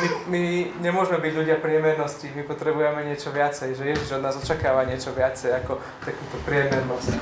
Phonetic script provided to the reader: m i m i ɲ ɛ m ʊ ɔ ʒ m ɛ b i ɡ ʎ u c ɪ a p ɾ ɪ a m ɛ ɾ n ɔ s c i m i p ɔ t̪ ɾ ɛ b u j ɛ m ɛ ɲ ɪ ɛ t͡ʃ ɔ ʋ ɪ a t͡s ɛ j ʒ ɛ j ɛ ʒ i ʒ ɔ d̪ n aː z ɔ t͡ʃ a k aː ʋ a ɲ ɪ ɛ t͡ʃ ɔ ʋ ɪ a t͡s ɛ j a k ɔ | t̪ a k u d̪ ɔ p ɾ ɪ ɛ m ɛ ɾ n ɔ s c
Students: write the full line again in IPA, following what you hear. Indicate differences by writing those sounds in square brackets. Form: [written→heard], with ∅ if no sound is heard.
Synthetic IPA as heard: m i m i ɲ ɛ m ʊ ɔ ʒ m ɛ b i [ɡ→ɟ] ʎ u [c→ɟ] ɪ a p ɾ ɪ [a→ɛ] m ɛ ɾ n ɔ s c i m i p ɔ t̪ ɾ ɛ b u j ɛ m ɛ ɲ ɪ ɛ t͡ʃ ɔ ʋ ɪ a t͡s ɛ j ʒ ɛ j ɛ ʒ i ʒ ɔ d̪ n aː z ɔ t͡ʃ a k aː ʋ a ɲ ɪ ɛ t͡ʃ ɔ ʋ ɪ a t͡s ɛ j a k ɔ | t̪ a k u [d̪→t̪] ɔ p ɾ ɪ ɛ m ɛ ɾ n ɔ s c